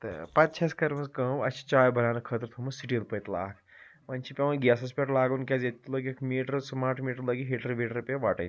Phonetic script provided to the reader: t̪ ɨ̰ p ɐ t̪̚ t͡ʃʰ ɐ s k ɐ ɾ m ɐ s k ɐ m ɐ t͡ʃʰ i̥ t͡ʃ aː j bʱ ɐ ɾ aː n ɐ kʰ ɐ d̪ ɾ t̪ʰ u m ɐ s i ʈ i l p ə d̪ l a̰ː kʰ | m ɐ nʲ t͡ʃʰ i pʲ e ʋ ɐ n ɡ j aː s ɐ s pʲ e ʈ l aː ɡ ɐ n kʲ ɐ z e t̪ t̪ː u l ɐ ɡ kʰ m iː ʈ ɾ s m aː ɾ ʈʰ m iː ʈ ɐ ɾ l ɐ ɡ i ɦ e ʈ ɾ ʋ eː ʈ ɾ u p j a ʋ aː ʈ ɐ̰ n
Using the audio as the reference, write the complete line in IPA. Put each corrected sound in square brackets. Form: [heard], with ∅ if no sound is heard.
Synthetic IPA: t̪ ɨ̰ p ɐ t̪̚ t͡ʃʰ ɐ s k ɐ ɾ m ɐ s k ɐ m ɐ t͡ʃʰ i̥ t͡ʃ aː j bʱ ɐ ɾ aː n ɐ kʰ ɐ [t̪] ɾ t̪ʰ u m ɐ s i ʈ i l p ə [t̪] l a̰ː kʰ | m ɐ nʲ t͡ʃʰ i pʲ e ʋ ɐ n ɡ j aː s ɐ s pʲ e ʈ l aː ɡ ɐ n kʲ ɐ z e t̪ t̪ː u l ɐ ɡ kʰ m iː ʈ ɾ s m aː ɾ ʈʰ m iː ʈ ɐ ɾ l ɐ ɡ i ɦ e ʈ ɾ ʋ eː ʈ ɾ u p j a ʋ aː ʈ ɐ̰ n